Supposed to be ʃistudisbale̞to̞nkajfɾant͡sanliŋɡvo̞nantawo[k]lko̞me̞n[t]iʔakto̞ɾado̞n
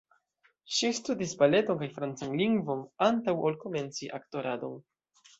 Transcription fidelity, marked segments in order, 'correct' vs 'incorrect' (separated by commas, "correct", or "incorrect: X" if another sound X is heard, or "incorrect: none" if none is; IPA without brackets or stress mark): incorrect: none, incorrect: t͡s